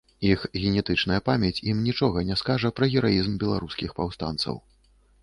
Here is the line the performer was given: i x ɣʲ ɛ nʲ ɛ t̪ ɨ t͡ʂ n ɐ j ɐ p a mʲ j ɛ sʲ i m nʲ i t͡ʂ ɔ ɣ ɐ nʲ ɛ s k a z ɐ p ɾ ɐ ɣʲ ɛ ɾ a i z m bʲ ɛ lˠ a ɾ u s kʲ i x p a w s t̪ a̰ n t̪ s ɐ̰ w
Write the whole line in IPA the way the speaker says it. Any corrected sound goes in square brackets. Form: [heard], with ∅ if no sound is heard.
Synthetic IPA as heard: i x ɣʲ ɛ nʲ ɛ t̪ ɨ t͡ʂ n ɐ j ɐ p a mʲ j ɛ [t͡sʲ] i m nʲ i t͡ʂ ɔ ɣ ɐ nʲ ɛ s k a [ʐ] ɐ p ɾ ɐ ɣʲ ɛ ɾ a i z m bʲ ɛ lˠ a ɾ u s kʲ i x p a w s t̪ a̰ n t̪ s ɐ̰ w